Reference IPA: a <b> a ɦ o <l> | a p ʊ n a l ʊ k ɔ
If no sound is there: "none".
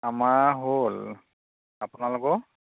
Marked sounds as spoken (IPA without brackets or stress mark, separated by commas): m, l